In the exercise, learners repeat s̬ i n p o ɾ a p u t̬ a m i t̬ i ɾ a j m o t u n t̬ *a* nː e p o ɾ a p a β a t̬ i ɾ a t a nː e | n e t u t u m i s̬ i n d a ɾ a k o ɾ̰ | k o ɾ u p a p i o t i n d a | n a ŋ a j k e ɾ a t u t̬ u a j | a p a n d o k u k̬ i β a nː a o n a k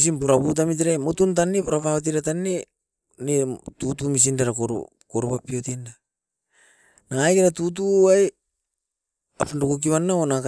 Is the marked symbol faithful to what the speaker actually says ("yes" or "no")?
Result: yes